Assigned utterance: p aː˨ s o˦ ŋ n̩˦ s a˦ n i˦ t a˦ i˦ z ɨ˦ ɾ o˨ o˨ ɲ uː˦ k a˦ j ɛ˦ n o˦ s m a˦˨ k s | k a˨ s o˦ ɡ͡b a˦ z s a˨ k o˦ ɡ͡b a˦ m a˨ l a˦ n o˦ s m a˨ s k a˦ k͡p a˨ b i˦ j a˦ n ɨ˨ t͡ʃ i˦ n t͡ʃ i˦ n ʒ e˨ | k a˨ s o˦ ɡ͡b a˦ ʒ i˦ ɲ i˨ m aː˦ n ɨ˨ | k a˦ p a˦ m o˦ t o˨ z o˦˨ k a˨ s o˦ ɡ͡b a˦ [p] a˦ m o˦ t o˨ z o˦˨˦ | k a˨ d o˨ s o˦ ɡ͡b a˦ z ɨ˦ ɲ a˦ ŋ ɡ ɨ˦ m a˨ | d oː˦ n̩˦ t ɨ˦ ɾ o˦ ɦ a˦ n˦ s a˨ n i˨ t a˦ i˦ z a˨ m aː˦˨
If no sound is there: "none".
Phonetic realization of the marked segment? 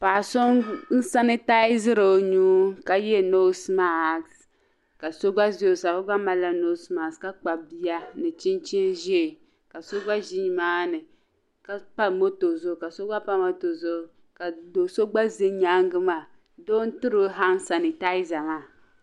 p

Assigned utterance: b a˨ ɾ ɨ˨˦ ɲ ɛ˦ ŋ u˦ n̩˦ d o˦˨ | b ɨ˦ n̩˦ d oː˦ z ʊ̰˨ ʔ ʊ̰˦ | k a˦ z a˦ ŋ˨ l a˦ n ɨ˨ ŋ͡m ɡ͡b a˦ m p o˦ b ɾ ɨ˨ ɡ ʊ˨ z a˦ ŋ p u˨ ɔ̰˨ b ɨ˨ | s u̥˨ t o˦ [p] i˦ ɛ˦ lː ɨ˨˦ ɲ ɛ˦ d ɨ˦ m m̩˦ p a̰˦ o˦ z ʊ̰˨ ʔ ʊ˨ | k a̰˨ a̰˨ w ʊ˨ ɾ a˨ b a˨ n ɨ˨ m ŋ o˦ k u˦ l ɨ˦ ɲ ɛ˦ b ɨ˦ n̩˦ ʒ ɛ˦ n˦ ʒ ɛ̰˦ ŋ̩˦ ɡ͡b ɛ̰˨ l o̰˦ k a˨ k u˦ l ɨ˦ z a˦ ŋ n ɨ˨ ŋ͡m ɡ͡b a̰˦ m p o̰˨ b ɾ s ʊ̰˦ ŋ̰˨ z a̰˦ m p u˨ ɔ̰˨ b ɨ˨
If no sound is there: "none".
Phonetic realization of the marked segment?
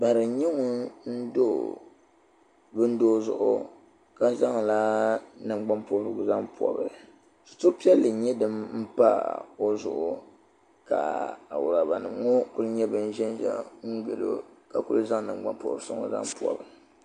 p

